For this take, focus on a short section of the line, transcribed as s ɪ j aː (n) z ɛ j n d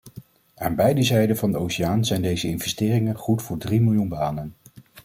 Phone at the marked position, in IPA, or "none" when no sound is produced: n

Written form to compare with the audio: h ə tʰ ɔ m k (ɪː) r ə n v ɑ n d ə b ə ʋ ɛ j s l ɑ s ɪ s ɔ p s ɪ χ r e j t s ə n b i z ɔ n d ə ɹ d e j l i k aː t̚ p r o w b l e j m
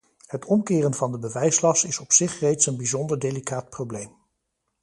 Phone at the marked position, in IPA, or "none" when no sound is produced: ɪː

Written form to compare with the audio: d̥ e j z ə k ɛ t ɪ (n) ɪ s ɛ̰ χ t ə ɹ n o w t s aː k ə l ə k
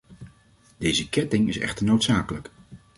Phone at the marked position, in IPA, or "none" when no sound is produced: ŋ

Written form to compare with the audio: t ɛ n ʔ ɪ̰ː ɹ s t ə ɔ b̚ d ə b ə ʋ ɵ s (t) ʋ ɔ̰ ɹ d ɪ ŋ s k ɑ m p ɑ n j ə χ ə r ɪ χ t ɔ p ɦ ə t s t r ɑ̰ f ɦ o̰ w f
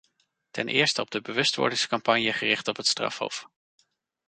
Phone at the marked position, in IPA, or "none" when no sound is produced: t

